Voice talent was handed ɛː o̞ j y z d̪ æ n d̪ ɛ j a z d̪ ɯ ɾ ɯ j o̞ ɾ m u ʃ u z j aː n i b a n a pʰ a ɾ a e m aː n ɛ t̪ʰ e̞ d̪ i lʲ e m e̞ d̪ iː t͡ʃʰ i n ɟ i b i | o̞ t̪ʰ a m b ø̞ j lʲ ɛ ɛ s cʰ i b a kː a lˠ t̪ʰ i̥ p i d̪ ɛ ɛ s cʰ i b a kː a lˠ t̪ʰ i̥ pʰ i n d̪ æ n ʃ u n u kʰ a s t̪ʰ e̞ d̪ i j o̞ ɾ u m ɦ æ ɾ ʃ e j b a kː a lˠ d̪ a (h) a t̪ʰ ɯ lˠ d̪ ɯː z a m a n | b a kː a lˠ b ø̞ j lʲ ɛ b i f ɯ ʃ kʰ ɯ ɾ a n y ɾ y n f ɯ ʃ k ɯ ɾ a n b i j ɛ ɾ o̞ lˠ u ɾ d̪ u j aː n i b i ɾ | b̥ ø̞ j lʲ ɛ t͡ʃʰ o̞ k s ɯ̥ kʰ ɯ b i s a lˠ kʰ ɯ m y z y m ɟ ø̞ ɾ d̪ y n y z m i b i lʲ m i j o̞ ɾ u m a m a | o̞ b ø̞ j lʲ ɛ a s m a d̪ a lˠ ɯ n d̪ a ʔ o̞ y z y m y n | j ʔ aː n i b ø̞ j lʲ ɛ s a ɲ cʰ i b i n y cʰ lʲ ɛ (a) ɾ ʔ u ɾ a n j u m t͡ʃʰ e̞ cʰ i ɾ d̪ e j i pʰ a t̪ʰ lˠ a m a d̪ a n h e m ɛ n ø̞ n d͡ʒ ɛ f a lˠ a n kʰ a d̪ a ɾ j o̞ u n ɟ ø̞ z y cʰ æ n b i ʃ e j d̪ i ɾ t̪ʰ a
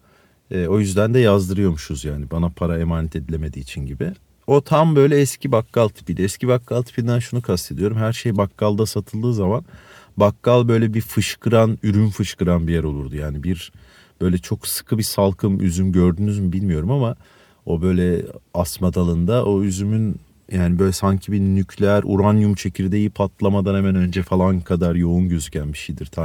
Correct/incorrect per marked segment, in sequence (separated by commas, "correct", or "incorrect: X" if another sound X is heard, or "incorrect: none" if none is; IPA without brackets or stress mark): incorrect: s, incorrect: æ